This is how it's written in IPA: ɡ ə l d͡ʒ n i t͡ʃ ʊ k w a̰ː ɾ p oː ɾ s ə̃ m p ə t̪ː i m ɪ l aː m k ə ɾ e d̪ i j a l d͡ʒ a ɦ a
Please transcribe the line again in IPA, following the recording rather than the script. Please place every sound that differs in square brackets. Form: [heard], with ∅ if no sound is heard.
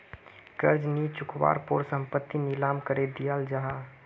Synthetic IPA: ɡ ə [ɾ] d͡ʒ n i t͡ʃ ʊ k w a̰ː ɾ p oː ɾ s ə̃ m p ə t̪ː i [n] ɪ l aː m k ə ɾ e d̪ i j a l d͡ʒ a ɦ a